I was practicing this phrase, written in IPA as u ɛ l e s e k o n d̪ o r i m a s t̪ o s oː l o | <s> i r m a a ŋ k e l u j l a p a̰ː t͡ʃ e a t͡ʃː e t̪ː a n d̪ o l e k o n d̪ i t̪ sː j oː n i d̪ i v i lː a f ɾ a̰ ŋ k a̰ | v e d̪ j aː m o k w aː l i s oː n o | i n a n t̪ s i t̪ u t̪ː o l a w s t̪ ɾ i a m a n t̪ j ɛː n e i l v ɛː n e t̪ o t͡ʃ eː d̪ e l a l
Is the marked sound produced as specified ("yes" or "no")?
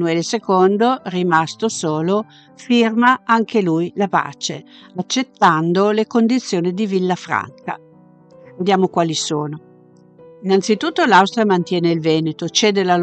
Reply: no